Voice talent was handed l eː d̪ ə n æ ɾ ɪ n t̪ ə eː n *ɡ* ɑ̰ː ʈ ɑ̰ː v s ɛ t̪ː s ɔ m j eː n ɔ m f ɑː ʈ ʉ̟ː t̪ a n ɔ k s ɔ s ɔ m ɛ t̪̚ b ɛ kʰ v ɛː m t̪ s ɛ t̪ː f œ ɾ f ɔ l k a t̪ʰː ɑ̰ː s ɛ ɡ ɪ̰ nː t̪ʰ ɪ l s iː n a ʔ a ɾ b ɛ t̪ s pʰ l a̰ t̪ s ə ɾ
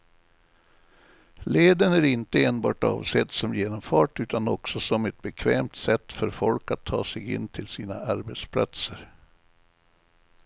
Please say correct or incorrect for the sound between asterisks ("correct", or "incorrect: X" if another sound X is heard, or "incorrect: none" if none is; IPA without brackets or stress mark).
incorrect: b